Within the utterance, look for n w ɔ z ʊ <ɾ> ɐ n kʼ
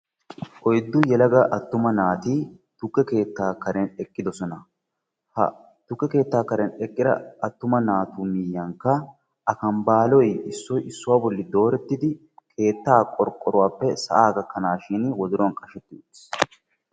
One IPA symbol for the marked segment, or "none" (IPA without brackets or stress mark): ɾ